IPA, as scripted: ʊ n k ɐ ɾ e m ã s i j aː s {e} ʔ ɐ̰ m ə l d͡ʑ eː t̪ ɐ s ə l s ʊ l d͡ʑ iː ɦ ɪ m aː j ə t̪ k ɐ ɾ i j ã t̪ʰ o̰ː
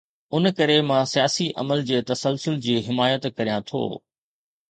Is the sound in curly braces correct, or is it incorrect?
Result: incorrect